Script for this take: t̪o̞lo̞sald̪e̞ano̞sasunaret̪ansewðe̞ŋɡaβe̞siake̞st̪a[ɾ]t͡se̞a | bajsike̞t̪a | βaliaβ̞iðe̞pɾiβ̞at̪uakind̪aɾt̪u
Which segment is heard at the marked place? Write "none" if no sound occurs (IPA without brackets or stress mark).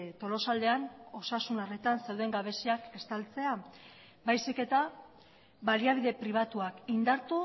l